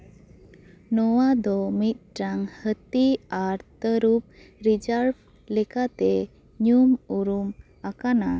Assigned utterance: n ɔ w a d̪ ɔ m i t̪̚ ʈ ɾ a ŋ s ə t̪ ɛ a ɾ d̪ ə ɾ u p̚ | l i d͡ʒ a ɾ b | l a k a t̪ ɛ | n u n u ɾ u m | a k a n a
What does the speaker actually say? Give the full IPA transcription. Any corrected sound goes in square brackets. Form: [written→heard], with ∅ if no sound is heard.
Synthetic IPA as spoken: n ɔ w a d̪ ɔ m i t̪̚ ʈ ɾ a ŋ [s→h] ə t̪ [ɛ→i] a ɾ [d̪→t̪] ə ɾ u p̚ | [l→ɾ] i d͡ʒ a ɾ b | l [a→ɛ] k a t̪ ɛ | [n→ɲ] u [n→m] u ɾ u m | a k a n a